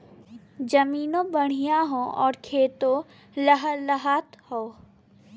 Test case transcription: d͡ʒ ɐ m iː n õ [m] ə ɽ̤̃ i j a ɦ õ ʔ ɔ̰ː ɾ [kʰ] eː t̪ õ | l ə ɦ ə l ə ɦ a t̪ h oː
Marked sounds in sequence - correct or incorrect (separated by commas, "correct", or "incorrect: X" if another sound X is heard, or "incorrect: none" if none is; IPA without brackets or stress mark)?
incorrect: b, correct